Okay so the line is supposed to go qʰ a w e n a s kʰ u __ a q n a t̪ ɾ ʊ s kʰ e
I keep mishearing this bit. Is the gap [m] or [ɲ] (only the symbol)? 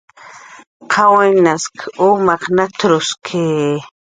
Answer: m